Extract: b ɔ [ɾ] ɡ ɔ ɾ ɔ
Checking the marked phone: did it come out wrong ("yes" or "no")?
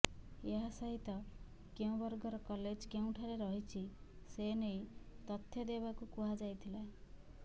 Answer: no